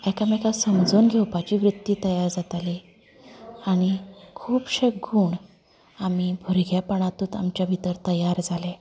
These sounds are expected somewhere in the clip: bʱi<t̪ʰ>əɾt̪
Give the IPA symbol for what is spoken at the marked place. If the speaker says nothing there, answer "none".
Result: t̪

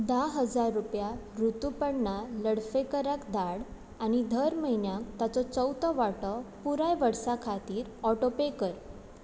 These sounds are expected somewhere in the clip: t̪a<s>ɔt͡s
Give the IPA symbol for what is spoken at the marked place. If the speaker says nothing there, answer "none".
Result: t͡s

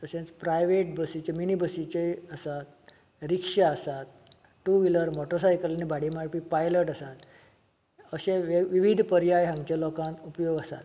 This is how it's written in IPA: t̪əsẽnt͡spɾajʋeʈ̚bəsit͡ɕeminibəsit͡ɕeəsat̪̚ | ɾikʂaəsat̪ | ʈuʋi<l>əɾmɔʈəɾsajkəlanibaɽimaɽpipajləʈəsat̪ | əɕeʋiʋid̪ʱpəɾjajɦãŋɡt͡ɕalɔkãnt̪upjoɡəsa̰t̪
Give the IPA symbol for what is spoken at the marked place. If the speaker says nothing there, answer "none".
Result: l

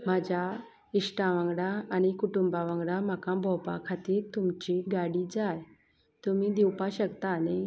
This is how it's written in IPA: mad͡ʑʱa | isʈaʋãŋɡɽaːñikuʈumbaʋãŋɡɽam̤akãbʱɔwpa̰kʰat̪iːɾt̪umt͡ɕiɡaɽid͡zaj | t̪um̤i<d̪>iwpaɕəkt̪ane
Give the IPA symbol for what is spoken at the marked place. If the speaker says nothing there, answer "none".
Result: d̪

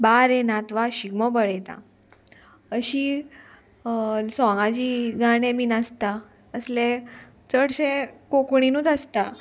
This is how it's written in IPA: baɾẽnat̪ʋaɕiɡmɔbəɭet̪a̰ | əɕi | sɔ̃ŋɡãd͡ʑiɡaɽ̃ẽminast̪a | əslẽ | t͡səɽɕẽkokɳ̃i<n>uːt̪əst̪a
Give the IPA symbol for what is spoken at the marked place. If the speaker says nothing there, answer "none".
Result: n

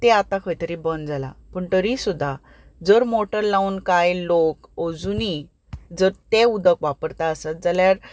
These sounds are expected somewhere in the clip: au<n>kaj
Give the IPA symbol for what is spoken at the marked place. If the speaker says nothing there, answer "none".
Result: n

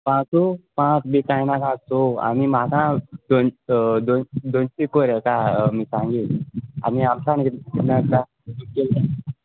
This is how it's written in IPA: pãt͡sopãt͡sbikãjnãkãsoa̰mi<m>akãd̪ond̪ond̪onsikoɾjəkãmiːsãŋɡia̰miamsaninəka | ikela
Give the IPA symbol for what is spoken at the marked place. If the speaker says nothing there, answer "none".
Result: m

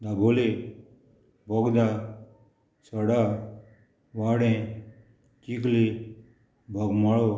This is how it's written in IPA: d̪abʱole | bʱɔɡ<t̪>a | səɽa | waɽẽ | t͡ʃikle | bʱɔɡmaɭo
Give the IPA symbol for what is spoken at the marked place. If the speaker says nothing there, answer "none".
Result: d̪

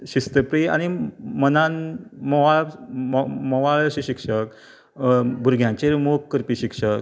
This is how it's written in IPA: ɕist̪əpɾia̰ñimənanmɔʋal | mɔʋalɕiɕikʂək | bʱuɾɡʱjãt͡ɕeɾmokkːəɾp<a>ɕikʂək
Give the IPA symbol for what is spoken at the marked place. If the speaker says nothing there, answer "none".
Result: i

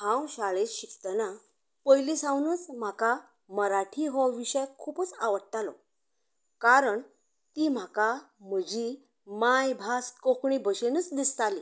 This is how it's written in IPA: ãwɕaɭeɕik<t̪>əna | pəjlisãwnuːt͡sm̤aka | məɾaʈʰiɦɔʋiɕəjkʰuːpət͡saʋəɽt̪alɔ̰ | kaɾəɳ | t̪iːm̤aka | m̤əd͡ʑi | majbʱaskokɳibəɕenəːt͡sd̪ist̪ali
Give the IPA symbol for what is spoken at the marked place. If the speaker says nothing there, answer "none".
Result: t̪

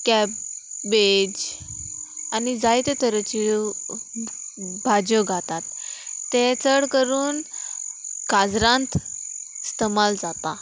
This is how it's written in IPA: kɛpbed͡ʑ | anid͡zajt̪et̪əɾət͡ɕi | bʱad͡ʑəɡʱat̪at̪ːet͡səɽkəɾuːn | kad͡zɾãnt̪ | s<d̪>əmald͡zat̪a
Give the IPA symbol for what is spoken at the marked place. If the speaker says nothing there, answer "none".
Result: t̪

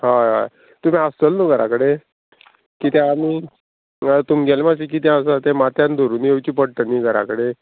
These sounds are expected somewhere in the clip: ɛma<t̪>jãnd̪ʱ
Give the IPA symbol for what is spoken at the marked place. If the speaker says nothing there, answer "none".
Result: t̪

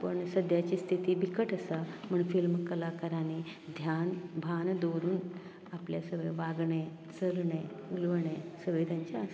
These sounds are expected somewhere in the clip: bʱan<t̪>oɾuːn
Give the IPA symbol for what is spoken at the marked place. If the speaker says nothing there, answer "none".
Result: d̪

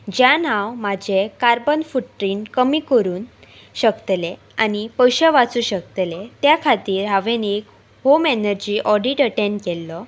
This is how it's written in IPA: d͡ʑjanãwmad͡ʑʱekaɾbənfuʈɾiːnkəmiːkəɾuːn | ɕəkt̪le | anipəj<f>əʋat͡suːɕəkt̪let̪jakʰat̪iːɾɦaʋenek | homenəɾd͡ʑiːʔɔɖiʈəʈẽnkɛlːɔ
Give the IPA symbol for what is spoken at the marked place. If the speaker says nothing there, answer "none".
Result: ɕ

